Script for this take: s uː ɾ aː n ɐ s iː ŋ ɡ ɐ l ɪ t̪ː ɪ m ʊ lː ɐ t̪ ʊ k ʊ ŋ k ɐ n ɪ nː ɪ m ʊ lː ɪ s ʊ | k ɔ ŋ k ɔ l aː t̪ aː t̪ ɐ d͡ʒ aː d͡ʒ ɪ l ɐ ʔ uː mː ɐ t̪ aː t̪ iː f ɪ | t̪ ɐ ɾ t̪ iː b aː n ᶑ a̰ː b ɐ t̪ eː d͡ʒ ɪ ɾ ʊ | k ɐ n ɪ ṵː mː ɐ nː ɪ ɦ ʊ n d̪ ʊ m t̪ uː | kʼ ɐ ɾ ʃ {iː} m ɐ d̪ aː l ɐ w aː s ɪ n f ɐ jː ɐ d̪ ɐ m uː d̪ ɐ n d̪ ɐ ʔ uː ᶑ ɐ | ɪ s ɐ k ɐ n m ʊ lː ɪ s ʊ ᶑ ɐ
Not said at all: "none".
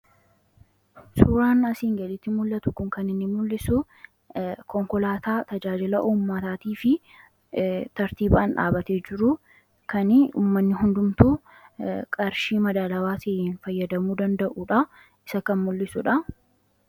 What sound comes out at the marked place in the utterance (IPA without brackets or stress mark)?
iː